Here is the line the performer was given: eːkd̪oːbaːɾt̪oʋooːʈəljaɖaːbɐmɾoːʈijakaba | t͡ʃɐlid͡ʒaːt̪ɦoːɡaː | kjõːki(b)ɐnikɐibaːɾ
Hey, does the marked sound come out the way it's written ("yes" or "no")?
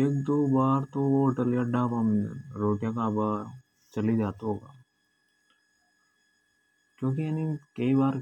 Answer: no